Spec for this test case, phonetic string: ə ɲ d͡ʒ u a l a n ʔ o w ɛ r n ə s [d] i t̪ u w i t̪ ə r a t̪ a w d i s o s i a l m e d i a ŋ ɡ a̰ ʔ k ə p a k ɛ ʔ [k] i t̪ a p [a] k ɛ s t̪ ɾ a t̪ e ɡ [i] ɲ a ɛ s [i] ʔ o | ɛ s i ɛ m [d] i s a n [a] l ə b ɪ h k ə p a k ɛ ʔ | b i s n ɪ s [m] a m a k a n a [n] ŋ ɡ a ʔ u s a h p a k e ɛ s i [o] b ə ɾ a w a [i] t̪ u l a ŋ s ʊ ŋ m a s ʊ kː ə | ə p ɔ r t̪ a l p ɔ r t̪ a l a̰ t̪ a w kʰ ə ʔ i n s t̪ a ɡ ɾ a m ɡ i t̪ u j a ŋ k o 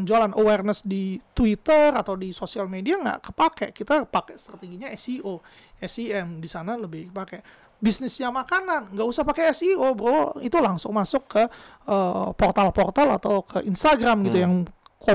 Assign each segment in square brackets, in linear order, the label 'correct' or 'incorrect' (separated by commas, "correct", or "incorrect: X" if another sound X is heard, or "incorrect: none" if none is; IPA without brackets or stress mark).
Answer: correct, correct, correct, correct, correct, correct, correct, incorrect: ɲ, correct, correct, correct